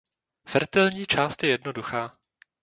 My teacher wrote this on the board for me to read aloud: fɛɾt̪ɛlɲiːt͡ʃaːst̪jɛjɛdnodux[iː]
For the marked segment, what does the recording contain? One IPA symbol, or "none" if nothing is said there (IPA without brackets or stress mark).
aː